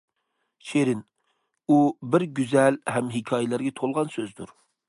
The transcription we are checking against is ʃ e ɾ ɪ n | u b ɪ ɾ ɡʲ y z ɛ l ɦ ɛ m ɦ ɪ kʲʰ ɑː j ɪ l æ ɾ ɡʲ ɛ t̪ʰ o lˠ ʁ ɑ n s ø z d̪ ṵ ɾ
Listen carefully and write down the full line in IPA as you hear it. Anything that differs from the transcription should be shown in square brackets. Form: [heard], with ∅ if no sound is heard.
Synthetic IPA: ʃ e ɾ ɪ n | u b ɪ ɾ ɡʲ y z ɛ l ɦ ɛ m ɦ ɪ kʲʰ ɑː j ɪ l æ ɾ ɡʲ ɛ t̪ʰ o lˠ ʁ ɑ n s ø z d̪ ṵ ɾ